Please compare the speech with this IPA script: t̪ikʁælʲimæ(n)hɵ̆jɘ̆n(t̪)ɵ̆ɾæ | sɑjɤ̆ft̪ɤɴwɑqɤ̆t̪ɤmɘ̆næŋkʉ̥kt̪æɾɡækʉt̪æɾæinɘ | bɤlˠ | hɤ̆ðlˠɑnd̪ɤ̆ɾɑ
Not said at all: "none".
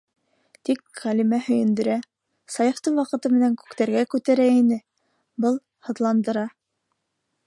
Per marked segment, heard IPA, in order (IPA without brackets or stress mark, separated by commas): none, d̪